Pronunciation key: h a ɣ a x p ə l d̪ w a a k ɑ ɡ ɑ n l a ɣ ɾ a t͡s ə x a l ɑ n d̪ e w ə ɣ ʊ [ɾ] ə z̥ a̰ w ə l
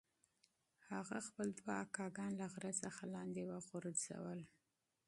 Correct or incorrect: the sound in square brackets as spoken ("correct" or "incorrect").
correct